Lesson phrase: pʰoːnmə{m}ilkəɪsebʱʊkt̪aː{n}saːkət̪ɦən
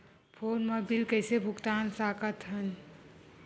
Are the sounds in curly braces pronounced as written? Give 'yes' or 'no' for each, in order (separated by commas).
no, yes